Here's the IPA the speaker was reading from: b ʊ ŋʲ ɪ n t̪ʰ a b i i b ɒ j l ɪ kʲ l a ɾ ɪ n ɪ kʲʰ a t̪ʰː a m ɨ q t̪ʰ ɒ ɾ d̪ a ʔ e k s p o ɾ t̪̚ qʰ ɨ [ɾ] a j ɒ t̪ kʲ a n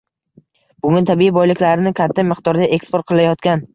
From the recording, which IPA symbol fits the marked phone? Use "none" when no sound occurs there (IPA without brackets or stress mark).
l